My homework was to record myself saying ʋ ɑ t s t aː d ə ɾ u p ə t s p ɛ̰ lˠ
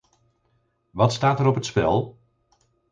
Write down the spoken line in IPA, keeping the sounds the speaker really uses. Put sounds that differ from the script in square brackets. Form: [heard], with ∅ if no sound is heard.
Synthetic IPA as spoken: ʋ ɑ t s t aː [t] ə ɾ [ɔ] p ə t s p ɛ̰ lˠ